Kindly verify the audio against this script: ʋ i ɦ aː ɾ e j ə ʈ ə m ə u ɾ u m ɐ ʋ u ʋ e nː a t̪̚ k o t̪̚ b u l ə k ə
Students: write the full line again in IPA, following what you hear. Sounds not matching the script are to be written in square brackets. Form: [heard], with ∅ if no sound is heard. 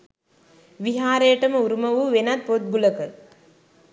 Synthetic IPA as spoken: ʋ i ɦ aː ɾ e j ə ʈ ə m ə u ɾ u m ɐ ʋ u ʋ e [n] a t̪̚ [p] o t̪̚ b u l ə k ə

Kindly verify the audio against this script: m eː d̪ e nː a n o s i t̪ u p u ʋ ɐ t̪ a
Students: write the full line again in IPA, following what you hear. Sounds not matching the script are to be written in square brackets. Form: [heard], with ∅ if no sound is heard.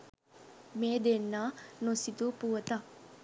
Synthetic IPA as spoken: m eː d̪ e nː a n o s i t̪ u p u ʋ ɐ t̪ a

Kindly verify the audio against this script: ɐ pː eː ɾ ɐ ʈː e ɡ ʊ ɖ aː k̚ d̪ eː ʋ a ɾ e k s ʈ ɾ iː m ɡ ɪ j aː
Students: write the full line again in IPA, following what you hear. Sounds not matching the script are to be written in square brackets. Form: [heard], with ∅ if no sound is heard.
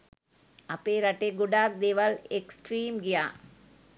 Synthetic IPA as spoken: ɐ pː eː ɾ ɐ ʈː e ɡ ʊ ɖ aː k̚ d̪ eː ʋ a [l] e k s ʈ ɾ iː m ɡ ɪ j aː

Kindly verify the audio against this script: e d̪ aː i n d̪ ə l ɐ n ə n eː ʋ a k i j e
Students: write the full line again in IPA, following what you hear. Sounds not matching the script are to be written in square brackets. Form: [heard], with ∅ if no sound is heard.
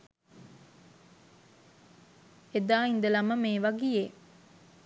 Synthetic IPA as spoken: e d̪ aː i n d̪ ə l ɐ [m] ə [m] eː ʋ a [ɡ] i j e

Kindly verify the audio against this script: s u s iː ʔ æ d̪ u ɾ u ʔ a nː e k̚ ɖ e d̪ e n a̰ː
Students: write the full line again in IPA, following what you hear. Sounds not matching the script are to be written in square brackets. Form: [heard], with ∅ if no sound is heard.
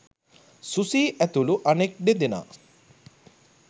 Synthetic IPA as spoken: s u s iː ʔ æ [t̪] u [l] u ʔ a [n] e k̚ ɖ e d̪ e n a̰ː

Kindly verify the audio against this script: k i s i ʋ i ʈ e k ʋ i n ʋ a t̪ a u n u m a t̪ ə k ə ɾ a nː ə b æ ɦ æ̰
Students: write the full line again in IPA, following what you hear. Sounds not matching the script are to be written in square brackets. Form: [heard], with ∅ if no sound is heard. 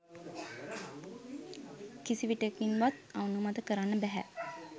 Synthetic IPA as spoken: k i s i ʋ i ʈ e k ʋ i n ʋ a t̪ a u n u m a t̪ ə k ə ɾ a nː ə b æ ɦ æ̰

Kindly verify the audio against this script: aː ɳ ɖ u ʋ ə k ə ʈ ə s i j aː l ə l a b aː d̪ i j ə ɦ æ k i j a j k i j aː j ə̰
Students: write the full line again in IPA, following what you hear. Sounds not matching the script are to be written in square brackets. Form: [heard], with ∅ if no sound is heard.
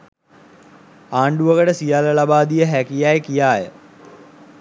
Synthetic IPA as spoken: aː ɳ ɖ u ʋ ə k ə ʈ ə s i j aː l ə l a b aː d̪ i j ə ɦ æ k i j a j k i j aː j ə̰

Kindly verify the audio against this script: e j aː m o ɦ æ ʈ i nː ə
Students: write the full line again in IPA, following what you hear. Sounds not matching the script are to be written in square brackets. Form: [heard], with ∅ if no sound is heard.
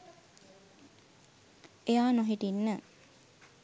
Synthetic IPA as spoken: e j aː [n] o ɦ [i] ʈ i nː ə

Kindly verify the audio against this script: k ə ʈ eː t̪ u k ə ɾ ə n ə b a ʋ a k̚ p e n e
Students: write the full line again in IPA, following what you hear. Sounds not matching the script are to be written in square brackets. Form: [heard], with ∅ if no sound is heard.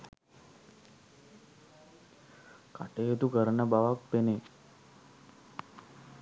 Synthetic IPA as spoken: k [a] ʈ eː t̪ u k ə ɾ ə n ə b a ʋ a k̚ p e n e

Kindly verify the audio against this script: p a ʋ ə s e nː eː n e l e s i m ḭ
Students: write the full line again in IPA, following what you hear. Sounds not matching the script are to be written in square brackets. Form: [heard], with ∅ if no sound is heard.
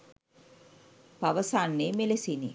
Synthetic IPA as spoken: p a ʋ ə s [a] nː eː [m] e l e s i [n] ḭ

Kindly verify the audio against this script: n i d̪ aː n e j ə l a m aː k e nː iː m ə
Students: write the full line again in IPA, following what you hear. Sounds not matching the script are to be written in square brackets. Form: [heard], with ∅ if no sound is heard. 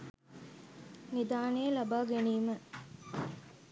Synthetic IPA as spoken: n i d̪ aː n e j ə l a [b] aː [ɡ] e [n] iː m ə

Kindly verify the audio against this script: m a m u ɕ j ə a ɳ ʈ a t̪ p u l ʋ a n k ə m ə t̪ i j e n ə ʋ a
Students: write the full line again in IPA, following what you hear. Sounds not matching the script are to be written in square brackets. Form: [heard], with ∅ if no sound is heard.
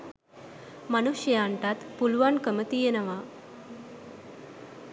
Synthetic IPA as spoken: m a [n] u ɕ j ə a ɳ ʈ a t̪ p u l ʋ a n k ə m ə t̪ i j e n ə ʋ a

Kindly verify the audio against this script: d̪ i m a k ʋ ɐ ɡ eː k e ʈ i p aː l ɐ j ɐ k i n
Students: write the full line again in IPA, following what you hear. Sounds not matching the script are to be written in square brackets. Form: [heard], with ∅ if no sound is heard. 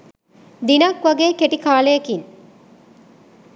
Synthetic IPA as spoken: d̪ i [n] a k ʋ ɐ ɡ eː k e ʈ i [k] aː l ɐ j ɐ k i n

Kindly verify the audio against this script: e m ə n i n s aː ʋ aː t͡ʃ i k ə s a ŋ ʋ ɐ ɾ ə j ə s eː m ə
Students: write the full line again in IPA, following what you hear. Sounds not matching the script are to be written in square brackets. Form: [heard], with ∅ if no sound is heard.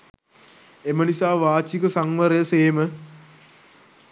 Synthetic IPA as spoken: e m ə n i [∅] s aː ʋ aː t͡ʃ i k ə s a ŋ ʋ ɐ ɾ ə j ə s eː m ə

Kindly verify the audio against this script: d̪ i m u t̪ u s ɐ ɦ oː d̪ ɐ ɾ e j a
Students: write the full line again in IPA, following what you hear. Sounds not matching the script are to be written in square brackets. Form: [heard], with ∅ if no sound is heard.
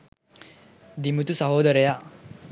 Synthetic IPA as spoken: d̪ i m u t̪ u s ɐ ɦ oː d̪ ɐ ɾ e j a

